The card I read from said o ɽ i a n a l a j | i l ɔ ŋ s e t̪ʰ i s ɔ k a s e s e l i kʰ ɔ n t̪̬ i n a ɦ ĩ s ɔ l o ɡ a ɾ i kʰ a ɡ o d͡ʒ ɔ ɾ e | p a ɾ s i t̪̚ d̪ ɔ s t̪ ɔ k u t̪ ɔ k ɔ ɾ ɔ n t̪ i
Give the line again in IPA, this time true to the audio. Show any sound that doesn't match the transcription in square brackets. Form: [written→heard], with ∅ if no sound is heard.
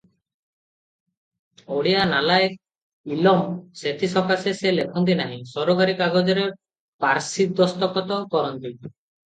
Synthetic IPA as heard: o ɽ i a n a l a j | i l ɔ [ŋ→m] s e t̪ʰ i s ɔ k a s e s e l [i→e] kʰ ɔ n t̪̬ i n a ɦ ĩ s ɔ [l→ɾ] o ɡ a ɾ i [kʰ→k] a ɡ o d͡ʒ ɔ ɾ e | p a ɾ s i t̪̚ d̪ ɔ s t̪ ɔ k [u→ɔ] t̪ ɔ k ɔ ɾ ɔ n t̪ i